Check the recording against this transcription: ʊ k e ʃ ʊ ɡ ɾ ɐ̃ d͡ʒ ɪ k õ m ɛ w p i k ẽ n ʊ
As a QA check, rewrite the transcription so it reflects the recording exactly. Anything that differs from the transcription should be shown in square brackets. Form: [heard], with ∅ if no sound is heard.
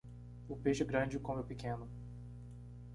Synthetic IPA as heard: ʊ [p] e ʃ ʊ ɡ ɾ ɐ̃ d͡ʒ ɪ k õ m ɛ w p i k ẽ n ʊ